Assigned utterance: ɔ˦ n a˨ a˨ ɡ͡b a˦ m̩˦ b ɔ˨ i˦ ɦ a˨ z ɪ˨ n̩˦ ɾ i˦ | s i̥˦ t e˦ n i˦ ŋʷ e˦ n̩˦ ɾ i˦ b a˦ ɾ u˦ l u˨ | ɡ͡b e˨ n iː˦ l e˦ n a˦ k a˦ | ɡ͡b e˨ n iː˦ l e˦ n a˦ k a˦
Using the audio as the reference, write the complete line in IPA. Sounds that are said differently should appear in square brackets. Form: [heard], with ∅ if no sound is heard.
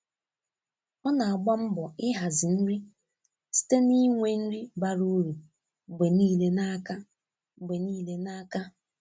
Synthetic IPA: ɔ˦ n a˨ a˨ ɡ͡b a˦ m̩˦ b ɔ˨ [ɪ˦] ɦ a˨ z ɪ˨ n̩˦ ɾ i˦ | s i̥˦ t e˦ n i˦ ŋʷ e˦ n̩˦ ɾ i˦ b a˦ ɾ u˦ [ɾ] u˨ | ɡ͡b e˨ n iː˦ l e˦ n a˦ k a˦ | ɡ͡b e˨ n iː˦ l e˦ n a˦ k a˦

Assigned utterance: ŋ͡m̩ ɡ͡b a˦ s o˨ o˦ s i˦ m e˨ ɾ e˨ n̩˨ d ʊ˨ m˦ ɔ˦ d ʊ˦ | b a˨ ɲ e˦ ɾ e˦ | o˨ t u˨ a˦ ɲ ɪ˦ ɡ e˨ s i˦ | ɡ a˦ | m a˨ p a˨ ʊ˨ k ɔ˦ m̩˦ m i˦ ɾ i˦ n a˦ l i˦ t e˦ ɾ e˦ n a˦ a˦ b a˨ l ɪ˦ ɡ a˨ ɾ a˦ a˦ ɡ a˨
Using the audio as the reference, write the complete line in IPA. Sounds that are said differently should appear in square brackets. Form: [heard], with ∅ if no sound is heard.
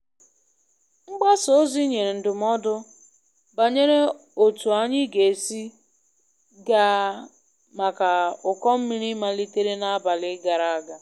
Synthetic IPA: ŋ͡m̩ ɡ͡b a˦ s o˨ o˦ [z] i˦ [ɲ] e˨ ɾ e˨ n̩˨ d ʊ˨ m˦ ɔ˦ d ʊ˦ | b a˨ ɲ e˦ ɾ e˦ | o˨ t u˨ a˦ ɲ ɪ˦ ɡ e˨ s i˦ | ɡ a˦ | m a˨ [k] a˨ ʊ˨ k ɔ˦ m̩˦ m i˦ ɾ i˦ [m] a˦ l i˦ t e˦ ɾ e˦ n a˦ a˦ b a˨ l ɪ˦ ɡ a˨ ɾ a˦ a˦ ɡ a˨

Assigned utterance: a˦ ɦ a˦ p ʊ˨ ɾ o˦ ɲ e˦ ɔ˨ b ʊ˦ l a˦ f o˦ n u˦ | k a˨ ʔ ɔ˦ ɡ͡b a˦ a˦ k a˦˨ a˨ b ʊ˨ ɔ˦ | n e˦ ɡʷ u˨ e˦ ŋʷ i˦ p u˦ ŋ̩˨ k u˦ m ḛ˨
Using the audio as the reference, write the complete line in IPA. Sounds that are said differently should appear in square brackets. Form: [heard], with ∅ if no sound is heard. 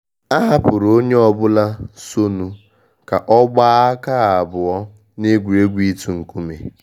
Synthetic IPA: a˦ ɦ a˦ p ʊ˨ ɾ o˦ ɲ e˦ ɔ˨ b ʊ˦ l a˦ [s] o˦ n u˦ | k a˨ ʔ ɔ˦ ɡ͡b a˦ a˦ k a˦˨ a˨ b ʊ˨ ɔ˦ | n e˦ ɡʷ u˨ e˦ [ɡʷ] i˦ [t] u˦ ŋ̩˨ k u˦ m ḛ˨

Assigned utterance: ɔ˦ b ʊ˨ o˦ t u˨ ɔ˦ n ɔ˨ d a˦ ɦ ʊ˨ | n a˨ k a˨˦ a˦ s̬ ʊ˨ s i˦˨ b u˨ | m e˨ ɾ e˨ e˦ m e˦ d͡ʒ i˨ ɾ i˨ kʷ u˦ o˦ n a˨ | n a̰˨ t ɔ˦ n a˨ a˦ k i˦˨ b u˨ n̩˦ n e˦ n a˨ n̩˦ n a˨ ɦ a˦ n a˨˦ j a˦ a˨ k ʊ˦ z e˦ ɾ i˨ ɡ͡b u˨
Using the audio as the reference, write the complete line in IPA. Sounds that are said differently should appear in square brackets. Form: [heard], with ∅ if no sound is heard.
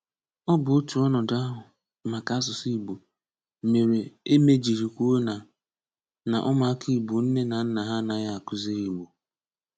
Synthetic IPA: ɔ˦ b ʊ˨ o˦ t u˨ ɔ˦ n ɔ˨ d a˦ ɦ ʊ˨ | [m] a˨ k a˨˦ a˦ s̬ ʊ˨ s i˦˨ b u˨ | m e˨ ɾ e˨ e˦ m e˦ d͡ʒ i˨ ɾ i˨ kʷ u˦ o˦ n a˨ | n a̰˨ [ʔ] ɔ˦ [m] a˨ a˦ k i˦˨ b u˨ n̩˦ n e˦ n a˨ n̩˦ n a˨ ɦ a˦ n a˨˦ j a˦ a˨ k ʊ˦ z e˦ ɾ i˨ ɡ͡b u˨

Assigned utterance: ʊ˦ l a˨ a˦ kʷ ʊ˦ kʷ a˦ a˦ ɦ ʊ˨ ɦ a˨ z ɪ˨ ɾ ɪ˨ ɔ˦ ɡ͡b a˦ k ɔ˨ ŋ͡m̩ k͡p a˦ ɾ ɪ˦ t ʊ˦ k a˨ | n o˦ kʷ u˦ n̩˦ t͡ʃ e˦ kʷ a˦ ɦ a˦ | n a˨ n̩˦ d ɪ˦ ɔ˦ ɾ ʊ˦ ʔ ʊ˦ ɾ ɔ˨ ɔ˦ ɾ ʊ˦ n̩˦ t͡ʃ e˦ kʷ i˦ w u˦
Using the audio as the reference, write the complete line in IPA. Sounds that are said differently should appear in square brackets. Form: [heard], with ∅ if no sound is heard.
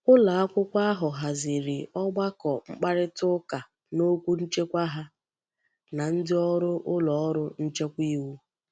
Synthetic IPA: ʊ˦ l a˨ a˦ kʷ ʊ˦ kʷ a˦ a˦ ɦ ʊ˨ ɦ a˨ z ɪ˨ ɾ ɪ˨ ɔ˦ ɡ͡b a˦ k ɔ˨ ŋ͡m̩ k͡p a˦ ɾ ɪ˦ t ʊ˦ k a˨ | n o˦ kʷ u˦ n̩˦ t͡ʃ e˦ kʷ a˦ ɦ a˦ | n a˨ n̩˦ d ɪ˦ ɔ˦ ɾ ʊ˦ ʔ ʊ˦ [l] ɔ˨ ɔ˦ ɾ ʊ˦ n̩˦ t͡ʃ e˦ kʷ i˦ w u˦

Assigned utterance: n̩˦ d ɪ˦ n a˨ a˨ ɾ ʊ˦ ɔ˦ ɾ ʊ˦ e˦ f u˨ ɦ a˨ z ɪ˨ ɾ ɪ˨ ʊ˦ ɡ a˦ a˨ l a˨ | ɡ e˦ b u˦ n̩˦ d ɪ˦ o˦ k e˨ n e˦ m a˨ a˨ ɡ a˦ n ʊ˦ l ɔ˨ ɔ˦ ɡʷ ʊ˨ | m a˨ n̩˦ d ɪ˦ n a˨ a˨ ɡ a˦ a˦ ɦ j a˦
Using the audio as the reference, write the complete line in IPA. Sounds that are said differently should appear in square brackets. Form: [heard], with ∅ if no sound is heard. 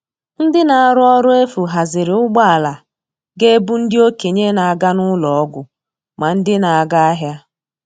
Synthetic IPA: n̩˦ d ɪ˦ n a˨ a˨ ɾ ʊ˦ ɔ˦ ɾ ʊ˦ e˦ f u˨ ɦ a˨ z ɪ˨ ɾ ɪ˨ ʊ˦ [ɡ͡b] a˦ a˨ l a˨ | ɡ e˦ b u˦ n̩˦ d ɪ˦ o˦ k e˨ [ɲ] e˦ [n] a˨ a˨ ɡ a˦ n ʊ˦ l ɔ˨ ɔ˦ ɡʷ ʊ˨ | m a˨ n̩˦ d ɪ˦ n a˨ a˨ ɡ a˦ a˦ ɦ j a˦

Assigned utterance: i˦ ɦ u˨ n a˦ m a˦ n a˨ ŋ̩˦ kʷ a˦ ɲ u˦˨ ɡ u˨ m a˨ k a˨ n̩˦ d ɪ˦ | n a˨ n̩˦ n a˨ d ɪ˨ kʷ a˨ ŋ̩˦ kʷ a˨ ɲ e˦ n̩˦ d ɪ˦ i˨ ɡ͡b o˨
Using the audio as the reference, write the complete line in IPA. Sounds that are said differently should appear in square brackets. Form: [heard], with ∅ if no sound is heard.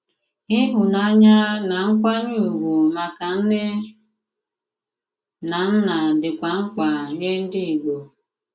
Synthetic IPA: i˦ ɦ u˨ n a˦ [ɲ] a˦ n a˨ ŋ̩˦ kʷ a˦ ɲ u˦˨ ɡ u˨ m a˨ k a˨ n̩˦ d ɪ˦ | n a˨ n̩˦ n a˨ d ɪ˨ kʷ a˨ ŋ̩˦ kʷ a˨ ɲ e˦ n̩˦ d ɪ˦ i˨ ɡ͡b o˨

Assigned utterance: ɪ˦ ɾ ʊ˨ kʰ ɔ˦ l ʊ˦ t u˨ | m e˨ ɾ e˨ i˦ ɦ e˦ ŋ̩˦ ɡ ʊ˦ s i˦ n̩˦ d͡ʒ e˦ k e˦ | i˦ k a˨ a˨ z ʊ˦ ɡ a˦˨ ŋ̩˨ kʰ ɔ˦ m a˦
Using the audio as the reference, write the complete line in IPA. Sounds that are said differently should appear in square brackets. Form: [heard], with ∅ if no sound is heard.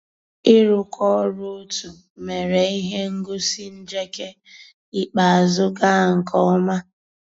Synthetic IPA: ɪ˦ ɾ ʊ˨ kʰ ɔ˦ [ɾ] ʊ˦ t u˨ | m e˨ ɾ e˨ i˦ ɦ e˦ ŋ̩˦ ɡ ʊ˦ s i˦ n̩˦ d͡ʒ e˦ k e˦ | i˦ [k͡p] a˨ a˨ z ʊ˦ ɡ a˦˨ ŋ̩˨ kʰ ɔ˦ m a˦

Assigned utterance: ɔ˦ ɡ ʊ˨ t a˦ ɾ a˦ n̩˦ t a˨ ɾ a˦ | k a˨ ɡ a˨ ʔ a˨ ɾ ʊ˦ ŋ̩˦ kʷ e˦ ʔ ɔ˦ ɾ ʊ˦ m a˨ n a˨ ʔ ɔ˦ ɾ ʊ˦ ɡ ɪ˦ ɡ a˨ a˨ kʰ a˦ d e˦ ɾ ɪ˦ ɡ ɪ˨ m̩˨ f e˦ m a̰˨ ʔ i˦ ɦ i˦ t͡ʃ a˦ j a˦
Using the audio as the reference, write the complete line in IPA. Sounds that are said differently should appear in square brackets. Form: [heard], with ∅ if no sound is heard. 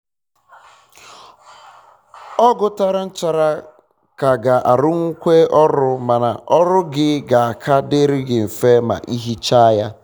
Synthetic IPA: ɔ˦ ɡ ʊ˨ t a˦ ɾ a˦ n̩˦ [t͡ʃ] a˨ ɾ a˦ | k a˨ ɡ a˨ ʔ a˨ ɾ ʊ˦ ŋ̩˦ kʷ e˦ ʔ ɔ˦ ɾ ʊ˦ m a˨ n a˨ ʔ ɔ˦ ɾ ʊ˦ ɡ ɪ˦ ɡ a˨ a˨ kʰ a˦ d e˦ ɾ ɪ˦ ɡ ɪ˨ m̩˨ f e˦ m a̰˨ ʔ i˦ ɦ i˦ t͡ʃ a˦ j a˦

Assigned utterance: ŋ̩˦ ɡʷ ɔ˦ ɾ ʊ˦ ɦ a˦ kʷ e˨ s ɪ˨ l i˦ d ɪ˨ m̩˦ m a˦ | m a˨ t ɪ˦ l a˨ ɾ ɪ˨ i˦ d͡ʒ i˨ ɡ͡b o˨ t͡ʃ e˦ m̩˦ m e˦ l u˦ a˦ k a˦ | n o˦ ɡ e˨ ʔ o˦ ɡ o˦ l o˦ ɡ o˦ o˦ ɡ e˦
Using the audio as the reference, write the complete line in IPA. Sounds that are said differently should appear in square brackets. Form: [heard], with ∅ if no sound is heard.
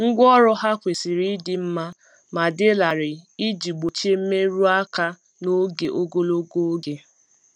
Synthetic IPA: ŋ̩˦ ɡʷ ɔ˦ ɾ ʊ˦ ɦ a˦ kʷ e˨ s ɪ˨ [ɾ] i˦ d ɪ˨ m̩˦ m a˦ | m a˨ [d] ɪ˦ l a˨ ɾ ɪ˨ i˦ d͡ʒ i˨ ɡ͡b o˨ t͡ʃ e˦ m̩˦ m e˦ [ɾ] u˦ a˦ k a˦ | n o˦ ɡ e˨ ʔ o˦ ɡ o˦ l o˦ ɡ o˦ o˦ ɡ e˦

